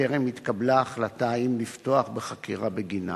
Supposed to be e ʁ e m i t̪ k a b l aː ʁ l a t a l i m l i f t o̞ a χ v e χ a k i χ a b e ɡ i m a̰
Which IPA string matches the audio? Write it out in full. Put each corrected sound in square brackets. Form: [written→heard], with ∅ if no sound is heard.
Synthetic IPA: e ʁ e m i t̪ k a b l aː [ʁ→χ] l a t a [l→∅] i m l i f t o̞ a χ [v→b] e χ a k i [χ→ʁ] a b e ɡ i [m→n] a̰